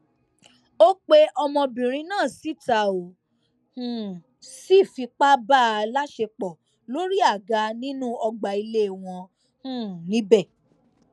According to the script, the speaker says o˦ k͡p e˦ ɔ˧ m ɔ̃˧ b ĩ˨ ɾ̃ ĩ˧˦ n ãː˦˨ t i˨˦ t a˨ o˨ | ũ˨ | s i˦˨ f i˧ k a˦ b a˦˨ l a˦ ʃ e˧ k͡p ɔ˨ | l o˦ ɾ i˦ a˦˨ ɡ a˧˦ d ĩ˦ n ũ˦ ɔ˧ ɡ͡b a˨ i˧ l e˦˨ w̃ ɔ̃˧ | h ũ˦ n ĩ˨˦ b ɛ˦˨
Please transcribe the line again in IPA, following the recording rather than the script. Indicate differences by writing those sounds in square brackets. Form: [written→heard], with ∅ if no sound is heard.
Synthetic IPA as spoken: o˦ k͡p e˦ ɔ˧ m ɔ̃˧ b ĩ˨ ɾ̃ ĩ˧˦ n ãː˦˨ [t→s] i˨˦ t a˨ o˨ | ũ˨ | s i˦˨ f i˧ [k→k͡p] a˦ b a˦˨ l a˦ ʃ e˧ k͡p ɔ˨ | l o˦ ɾ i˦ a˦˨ ɡ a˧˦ [d→n] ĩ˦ n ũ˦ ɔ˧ ɡ͡b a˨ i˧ l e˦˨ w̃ ɔ̃˧ | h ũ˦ n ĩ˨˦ b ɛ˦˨